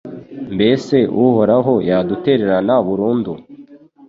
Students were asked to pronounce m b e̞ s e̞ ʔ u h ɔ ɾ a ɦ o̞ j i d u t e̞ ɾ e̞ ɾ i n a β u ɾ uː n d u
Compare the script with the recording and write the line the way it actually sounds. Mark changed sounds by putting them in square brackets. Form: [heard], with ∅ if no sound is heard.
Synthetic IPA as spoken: m b e̞ s e̞ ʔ u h [o] ɾ a ɦ o̞ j [a] d u t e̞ ɾ e̞ ɾ [a] n a β u ɾ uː n d u